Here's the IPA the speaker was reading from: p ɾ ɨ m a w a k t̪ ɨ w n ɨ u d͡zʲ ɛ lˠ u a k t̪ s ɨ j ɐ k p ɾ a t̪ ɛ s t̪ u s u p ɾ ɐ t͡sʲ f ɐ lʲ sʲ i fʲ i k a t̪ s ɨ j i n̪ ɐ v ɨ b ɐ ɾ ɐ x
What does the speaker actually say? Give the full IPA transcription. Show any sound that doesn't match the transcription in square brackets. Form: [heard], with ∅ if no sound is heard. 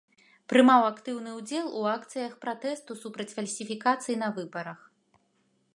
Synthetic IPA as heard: p ɾ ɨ m a w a k t̪ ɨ w n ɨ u d͡zʲ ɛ lˠ u a k t̪ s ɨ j ɐ [x] p ɾ a t̪ ɛ s t̪ u s u p ɾ ɐ t͡sʲ f ɐ lʲ sʲ i fʲ i k a t̪ s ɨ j i n̪ ɐ v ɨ b ɐ ɾ ɐ x